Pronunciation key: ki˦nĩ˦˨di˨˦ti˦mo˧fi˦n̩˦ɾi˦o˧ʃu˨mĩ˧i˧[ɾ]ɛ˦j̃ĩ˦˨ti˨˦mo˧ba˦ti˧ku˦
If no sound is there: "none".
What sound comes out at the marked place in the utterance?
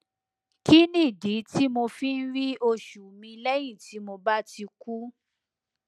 l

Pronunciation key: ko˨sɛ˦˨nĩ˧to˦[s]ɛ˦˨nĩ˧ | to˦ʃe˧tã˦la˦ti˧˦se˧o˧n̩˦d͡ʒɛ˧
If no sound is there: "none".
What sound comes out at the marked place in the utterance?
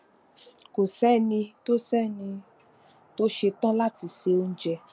s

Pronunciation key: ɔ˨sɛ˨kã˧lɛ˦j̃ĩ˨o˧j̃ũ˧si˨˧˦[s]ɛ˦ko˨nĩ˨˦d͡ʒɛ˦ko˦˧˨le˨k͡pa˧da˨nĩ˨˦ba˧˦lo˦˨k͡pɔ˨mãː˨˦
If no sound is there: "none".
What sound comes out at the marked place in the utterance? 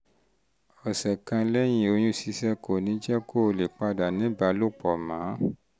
s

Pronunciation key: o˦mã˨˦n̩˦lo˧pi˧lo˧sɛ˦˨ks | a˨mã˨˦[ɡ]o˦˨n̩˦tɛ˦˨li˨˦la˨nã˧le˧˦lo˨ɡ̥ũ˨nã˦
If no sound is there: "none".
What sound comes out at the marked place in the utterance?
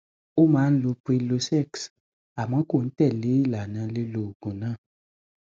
k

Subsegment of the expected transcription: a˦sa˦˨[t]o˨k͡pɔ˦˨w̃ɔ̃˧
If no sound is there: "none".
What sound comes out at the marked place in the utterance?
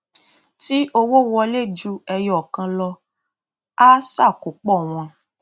k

